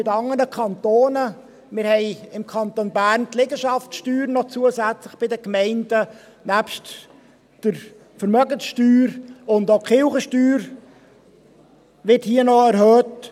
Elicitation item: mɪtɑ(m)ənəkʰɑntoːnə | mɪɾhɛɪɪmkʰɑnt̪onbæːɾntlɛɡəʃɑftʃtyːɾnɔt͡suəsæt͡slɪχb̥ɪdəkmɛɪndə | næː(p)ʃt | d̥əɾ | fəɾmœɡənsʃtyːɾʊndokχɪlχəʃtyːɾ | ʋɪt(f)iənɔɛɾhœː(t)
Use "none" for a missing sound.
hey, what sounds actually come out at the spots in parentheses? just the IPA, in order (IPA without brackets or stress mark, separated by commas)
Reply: ŋ, p, h, t